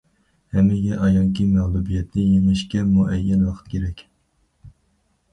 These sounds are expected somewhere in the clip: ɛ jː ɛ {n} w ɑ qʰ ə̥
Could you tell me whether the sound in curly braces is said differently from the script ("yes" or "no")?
no